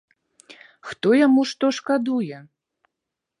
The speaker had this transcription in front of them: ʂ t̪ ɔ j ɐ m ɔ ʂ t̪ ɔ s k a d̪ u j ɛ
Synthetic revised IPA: x t̪ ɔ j a m u ʂ t̪ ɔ ʂ k a d̪ u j ɛ